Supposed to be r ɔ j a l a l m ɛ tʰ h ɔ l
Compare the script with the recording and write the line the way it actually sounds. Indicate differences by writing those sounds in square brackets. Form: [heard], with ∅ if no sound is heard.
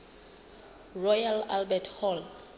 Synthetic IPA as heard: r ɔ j a l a l [b] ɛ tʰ h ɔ l